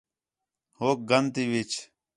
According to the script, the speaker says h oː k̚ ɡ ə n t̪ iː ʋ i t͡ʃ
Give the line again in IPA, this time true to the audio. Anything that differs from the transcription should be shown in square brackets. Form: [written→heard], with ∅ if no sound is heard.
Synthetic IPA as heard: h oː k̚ ɡ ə n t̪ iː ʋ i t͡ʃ